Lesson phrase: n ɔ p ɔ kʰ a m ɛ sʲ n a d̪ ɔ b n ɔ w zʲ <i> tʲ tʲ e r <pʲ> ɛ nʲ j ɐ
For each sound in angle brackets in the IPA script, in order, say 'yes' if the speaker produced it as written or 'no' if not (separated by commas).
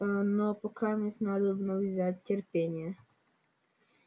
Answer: no, yes